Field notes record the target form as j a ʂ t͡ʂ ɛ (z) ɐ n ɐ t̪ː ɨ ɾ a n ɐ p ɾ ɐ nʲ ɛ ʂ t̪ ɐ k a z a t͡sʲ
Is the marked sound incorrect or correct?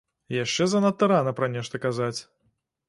correct